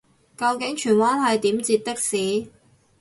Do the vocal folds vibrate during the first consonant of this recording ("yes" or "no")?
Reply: no